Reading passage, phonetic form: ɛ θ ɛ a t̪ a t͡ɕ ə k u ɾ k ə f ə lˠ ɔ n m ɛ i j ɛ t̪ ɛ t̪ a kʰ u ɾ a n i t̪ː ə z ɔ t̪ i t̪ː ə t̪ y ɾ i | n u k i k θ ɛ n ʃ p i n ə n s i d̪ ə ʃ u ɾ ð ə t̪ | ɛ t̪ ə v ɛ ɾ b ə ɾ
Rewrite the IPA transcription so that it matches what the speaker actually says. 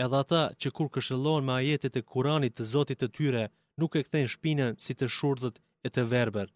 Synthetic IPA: ɛ ð ɛ a t̪ a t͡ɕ ə k u ɾ k ə ʃ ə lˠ ɔ n m ɛ a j ɛ t̪ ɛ t̪ ɛ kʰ u ɾ a n i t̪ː ə z ɔ t̪ i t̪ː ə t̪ y ɾ ɛ | n u k ɛ k θ ɛ n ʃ p i n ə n s i t̪ ə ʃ u ɾ ð ə t̪ | ɛ t̪ ə v ɛ ɾ b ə ɾ